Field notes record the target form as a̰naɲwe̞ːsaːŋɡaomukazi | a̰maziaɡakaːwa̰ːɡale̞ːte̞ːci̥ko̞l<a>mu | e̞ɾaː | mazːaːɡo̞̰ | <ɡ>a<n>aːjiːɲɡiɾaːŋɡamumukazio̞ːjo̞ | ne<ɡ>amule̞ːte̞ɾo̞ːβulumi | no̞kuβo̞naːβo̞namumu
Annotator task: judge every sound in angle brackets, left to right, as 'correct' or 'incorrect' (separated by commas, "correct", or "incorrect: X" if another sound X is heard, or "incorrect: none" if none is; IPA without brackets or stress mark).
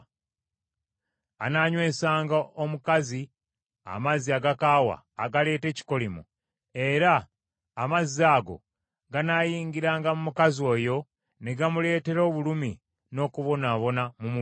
incorrect: i, correct, correct, correct